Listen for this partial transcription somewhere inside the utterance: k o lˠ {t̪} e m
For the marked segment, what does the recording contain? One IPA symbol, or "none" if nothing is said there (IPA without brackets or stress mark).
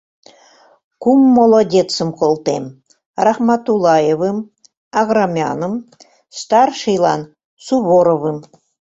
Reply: t̪